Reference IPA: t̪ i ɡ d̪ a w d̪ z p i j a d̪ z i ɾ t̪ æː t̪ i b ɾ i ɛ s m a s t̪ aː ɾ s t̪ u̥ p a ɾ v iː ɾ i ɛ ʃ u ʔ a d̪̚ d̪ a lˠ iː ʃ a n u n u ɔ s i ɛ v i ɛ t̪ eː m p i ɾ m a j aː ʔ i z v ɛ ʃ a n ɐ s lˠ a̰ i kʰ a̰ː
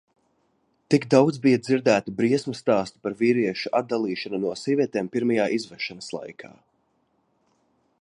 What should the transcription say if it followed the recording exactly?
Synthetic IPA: t̪ i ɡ d̪ a w d̪ z b i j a d̪ z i ɾ d̪ æː t̪ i b ɾ i ɛ s m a s t̪ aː s t̪ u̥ p a ɾ v iː ɾ i ɛ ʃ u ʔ a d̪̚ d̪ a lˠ iː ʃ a n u n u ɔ s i ɛ v i ɛ t̪ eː m p i ɾ m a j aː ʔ i z v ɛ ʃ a n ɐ s lˠ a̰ j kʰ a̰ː